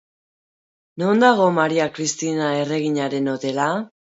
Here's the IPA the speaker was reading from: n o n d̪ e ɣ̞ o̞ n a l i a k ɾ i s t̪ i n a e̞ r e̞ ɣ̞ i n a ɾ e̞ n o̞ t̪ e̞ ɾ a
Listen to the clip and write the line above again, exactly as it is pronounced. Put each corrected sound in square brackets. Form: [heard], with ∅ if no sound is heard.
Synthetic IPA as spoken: n o n d̪ [a] ɣ̞ o̞ [m] a [ɾ] i a k ɾ i s t̪ i n a e̞ r e̞ ɣ̞ i [ɲ] a ɾ e̞ n o̞ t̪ e̞ [l] a